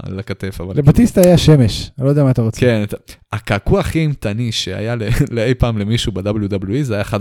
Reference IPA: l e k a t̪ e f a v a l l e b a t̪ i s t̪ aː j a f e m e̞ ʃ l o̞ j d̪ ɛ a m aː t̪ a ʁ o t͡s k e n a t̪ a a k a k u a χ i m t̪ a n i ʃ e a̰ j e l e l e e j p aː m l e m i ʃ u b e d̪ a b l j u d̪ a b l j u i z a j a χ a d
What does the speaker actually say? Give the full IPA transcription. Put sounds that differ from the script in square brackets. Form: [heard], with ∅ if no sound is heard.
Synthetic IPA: l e k a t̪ e f a v a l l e b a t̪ i s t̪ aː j a [ʃ] e m e̞ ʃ l o̞ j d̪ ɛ a m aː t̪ a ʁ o t͡s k e n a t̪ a a k a k u a χ i m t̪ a n i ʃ e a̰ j [a] l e l e e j p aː m l e m i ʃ u b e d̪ a b l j u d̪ a b l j u i z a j a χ a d